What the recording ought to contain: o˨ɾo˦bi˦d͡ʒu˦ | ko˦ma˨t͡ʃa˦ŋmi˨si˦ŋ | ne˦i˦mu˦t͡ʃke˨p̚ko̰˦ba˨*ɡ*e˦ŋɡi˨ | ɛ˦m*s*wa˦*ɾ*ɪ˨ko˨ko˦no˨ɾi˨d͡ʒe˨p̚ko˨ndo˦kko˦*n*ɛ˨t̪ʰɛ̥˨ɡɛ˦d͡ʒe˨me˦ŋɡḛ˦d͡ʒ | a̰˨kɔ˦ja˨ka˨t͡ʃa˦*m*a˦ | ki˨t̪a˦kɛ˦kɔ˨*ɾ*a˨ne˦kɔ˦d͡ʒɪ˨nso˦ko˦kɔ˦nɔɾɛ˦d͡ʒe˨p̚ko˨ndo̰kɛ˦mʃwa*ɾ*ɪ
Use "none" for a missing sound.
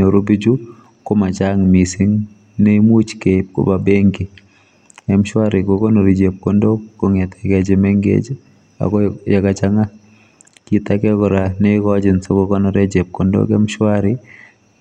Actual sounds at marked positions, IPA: b, ʃ, ɾ, ŋ, ŋ, ɾ, ɾ

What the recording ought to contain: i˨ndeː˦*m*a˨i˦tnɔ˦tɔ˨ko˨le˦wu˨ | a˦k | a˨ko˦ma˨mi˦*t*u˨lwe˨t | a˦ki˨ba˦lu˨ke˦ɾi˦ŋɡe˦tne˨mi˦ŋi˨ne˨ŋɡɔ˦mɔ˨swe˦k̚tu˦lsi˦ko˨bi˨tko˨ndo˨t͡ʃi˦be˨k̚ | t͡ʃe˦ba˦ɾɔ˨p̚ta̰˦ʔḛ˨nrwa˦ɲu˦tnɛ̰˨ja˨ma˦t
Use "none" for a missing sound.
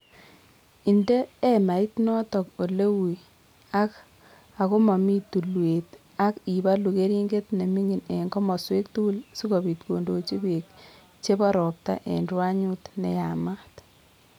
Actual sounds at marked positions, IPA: m, t

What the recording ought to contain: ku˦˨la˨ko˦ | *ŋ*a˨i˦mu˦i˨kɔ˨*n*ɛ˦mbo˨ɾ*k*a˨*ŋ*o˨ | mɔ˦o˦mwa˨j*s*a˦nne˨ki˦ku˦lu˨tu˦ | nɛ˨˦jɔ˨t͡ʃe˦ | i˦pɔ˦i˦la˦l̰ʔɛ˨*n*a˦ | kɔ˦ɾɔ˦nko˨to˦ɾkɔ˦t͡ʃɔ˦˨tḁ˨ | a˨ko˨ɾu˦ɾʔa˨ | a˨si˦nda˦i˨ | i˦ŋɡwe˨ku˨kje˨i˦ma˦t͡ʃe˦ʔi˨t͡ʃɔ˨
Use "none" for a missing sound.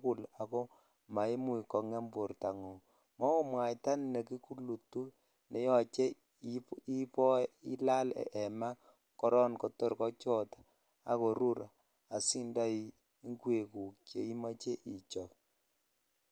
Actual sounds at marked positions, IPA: m, ŋ, t, ŋ, t, m

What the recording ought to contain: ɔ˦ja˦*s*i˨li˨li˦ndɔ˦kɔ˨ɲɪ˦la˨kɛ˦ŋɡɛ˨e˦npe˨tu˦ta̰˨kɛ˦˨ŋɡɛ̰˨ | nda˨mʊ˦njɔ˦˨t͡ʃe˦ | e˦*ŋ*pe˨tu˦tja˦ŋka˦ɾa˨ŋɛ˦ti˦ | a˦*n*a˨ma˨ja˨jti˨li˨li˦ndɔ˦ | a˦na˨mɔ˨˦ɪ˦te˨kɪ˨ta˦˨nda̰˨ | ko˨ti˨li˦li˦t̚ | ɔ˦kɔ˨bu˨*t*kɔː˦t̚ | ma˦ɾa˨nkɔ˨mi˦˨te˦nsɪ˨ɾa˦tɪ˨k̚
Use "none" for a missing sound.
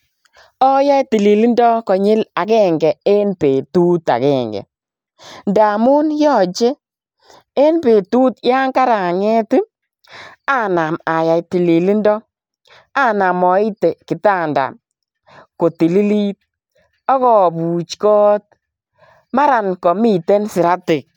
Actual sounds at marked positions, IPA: t, n, n, t͡ʃ

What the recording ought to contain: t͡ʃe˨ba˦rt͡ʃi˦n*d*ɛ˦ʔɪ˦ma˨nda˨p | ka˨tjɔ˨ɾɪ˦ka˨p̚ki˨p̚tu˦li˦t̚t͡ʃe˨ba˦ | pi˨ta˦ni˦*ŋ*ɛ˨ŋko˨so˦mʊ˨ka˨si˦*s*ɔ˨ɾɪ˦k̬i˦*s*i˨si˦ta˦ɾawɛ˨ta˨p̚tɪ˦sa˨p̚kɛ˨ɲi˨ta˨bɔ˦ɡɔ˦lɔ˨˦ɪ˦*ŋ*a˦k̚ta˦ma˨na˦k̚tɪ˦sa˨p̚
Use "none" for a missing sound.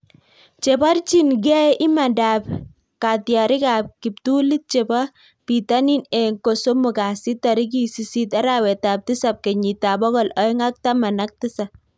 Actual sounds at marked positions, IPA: ɡ, n, t, s, ŋ

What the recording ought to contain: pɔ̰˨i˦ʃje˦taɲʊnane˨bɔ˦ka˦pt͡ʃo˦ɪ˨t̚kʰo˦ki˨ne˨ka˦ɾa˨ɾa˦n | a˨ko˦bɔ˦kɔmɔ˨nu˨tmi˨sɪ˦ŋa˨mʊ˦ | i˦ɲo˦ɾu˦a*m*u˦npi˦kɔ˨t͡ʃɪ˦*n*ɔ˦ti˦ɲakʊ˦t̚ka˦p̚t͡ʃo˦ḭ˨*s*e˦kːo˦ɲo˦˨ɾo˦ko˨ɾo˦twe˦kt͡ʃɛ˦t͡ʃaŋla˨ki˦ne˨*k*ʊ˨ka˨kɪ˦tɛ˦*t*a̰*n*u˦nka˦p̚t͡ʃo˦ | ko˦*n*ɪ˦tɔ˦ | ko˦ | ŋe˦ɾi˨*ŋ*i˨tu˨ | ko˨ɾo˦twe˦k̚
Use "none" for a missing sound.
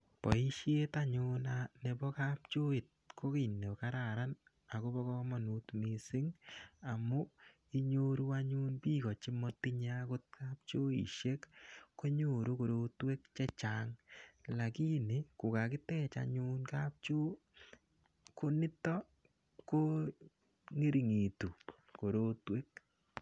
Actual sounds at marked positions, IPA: ɲ, m, ʃ, k, t͡ʃ, ɲ, n, ŋ

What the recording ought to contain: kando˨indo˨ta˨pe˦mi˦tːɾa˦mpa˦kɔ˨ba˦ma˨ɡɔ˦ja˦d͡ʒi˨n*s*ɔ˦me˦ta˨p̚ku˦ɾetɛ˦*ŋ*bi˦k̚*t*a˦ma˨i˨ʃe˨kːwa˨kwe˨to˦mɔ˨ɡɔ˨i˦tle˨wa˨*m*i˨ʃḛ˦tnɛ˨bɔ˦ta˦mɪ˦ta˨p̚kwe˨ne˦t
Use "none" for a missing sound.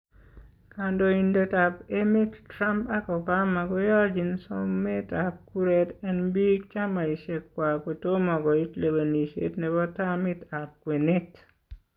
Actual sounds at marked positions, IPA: s, n, t͡ʃ, n

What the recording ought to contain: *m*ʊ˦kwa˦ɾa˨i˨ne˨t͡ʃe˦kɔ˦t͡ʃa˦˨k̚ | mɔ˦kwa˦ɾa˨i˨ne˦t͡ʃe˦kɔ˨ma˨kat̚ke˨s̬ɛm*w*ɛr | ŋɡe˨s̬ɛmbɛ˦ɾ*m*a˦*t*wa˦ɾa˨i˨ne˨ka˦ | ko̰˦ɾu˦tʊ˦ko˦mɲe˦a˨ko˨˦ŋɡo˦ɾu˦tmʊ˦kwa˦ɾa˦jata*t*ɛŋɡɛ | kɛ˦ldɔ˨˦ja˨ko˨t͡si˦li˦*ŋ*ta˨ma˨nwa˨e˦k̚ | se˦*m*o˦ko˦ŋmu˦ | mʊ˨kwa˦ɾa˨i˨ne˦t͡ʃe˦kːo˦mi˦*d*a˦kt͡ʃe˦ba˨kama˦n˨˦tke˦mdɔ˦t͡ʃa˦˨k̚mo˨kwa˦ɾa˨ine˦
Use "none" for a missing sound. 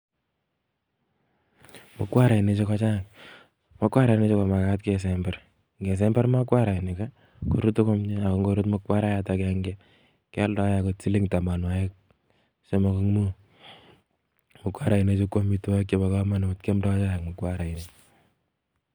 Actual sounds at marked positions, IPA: m, b, m, k, k, ŋ, m, t

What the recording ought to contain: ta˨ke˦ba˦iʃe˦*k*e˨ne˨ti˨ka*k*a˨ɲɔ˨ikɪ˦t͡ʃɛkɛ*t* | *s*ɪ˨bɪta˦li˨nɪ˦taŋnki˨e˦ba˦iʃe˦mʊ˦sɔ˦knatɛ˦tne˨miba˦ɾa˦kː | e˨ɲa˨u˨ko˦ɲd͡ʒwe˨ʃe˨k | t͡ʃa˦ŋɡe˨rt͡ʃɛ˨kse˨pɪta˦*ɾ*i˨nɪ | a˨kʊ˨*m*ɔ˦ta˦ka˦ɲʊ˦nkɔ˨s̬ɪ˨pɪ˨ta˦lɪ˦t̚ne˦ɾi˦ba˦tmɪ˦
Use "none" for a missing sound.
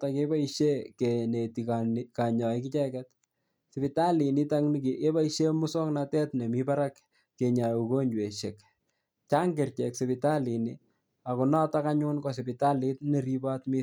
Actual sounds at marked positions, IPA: k, k, t, s, l, n

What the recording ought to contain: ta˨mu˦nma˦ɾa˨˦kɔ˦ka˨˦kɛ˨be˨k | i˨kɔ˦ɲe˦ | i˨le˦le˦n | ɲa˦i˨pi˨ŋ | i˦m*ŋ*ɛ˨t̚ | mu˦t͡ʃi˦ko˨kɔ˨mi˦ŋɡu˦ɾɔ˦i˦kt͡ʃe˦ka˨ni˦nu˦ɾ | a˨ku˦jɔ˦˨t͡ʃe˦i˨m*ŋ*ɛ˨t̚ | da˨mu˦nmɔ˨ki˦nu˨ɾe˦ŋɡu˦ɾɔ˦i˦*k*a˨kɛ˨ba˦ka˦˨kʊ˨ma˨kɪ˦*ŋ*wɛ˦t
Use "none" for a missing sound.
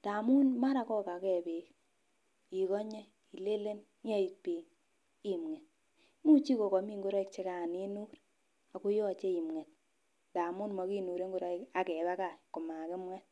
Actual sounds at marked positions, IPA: ŋ, ŋ, k, m

